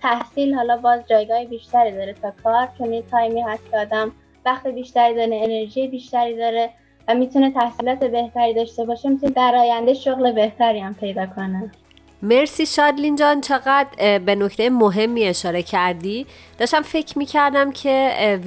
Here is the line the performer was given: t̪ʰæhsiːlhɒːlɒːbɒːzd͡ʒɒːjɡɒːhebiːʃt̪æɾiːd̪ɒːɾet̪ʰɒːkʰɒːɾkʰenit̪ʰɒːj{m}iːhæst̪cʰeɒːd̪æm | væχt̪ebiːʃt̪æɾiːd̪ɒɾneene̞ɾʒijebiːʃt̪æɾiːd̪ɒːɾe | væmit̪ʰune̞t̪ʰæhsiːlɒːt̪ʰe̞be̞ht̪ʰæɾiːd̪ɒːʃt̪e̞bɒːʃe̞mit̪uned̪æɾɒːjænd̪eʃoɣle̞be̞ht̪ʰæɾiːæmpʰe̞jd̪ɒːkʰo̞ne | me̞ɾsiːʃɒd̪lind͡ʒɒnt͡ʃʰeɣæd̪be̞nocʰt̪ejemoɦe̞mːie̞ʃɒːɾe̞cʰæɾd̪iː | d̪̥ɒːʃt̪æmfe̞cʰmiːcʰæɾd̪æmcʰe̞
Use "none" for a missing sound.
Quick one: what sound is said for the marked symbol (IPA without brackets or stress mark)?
m